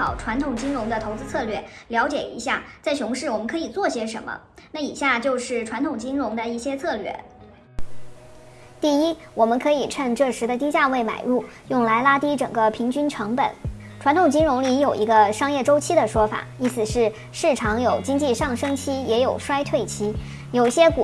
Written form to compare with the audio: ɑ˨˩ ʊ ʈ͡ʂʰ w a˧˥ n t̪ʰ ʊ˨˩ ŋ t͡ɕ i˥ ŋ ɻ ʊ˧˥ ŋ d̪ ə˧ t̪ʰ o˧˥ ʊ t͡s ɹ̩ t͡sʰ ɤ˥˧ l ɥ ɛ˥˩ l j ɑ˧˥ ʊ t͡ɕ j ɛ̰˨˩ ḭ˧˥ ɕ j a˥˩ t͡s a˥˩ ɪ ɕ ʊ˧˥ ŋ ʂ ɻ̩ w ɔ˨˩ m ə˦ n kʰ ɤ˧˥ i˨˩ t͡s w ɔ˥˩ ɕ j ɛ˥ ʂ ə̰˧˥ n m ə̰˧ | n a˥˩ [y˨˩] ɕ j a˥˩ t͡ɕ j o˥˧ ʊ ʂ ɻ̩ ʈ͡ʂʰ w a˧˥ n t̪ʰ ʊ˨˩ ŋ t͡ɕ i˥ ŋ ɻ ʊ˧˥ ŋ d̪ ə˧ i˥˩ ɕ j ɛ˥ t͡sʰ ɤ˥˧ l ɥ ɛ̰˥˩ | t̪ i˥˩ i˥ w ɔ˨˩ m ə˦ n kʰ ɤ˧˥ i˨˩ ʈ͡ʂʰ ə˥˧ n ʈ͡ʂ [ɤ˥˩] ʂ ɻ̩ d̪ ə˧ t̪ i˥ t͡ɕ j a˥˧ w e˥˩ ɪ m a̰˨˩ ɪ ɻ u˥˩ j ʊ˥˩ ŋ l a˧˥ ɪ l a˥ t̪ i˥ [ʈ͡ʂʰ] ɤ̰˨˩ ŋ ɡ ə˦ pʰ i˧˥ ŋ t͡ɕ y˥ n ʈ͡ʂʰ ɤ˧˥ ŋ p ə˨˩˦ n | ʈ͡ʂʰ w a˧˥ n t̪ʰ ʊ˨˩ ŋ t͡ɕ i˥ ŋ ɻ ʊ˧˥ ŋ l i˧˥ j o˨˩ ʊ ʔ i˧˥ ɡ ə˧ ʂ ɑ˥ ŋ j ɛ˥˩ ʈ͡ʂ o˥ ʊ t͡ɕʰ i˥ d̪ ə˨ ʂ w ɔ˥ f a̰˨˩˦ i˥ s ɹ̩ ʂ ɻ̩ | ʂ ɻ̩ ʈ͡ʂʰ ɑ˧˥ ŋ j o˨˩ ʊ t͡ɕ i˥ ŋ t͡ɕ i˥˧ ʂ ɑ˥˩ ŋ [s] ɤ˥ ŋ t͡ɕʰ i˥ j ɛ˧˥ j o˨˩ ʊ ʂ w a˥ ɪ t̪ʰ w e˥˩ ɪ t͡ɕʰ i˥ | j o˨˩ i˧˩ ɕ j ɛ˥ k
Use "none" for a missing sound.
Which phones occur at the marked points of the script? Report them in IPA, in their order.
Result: i˨˩, ɤ˥˩, ʈ͡ʂ, ʂ

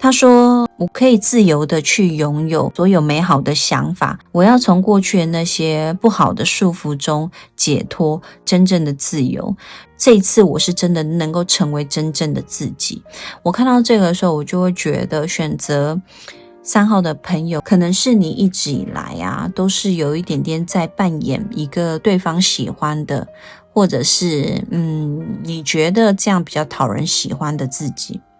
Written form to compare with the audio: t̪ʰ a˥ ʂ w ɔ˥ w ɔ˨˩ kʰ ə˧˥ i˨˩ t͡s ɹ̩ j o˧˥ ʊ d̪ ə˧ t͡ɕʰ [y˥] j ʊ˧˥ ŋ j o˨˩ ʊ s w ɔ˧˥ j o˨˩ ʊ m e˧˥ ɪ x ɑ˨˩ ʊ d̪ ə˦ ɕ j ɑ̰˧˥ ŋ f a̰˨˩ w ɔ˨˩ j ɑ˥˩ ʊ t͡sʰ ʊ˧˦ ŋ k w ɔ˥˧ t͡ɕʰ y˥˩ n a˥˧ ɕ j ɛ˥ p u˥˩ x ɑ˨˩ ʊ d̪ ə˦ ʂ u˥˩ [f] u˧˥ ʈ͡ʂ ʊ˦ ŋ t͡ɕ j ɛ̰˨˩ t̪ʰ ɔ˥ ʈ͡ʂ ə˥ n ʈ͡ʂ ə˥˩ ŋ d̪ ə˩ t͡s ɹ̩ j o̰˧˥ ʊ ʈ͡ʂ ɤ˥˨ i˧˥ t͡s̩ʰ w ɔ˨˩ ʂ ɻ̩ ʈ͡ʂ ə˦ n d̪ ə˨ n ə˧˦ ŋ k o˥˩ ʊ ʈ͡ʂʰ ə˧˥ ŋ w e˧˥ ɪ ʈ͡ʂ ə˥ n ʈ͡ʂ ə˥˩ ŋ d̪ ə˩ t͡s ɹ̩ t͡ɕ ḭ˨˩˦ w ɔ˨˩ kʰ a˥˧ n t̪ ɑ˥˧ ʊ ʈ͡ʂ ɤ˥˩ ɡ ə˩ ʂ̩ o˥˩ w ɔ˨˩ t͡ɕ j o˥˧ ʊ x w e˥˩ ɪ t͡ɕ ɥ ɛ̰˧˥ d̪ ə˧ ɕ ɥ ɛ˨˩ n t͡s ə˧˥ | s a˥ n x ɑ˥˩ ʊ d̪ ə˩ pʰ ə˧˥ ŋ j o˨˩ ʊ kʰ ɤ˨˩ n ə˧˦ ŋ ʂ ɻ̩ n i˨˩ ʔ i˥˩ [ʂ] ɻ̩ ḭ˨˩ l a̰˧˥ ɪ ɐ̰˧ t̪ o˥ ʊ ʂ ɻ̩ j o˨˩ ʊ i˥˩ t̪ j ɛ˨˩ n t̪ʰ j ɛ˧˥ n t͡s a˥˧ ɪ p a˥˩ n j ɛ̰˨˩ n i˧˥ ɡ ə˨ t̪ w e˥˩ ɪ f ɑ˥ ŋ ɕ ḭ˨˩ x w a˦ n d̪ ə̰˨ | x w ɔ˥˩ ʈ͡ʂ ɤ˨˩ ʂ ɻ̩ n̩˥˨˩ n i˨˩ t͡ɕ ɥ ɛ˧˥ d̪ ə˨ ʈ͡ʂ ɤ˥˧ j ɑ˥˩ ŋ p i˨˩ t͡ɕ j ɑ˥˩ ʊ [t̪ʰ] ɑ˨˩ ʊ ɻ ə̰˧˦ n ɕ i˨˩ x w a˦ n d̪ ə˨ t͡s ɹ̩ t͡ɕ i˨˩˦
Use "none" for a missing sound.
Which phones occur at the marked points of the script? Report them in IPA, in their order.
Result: y˥˩, f, ʈ͡ʂ, t̪ʰ

